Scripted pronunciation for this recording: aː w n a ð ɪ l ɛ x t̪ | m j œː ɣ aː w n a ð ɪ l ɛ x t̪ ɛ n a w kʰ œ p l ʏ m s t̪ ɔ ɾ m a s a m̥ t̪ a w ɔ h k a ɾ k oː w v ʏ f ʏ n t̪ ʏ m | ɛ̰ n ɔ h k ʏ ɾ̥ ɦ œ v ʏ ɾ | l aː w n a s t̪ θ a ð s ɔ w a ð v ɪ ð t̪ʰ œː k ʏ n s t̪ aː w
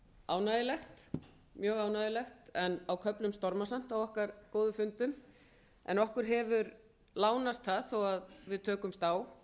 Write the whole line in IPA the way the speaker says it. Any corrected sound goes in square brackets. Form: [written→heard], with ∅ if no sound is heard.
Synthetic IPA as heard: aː w n a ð ɪ l ɛ x t̪ | m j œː ɣ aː w n a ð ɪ l ɛ x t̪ ɛ n a w kʰ œ p l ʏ m s t̪ ɔ ɾ m a s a m̥ t̪ a w ɔ h k a ɾ k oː w [v→ð] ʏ f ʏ n t̪ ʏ m | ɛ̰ n ɔ h k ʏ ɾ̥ ɦ [œ→ɛ] v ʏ ɾ | l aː w n a s t̪ θ a ð [s→θ] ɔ w a ð v ɪ ð t̪ʰ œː k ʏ [n→m] s t̪ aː w